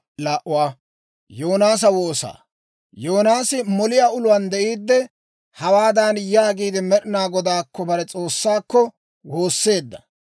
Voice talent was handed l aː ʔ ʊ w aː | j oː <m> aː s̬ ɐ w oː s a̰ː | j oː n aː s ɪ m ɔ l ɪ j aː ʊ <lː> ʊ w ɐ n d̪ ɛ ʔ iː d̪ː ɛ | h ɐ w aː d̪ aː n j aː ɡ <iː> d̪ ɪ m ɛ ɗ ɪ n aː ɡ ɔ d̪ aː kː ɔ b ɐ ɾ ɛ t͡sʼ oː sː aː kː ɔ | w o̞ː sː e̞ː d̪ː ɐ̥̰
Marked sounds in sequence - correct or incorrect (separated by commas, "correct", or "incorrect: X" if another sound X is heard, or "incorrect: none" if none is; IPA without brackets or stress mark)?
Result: incorrect: n, incorrect: l, correct